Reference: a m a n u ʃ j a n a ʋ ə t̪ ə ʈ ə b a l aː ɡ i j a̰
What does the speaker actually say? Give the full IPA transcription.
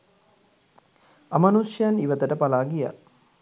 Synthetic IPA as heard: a m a n u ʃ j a n i ʋ ə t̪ ə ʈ ə p a l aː ɡ i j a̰

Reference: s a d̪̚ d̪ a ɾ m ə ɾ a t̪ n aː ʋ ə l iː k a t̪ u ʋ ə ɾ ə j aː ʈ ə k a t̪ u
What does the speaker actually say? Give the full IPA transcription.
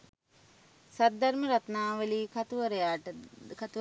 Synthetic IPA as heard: s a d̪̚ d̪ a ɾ m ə ɾ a t̪ n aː ʋ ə l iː k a t̪ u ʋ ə ɾ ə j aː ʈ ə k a t̪ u

